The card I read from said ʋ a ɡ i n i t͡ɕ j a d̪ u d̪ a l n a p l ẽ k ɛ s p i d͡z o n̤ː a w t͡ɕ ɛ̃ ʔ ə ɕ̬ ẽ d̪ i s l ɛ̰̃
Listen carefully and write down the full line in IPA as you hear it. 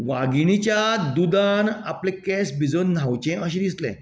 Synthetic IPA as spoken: ʋ a ɡ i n i t͡ɕ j a d̪ u d̪ a n a p l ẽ k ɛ s b i d͡z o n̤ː a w t͡ɕ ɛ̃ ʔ ə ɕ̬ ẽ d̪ i s l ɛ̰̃